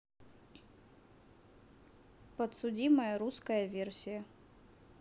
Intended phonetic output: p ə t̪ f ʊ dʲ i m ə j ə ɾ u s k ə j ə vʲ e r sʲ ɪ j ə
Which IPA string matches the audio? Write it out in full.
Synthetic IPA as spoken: p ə t̪ s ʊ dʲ i m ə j ə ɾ u s k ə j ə vʲ e r sʲ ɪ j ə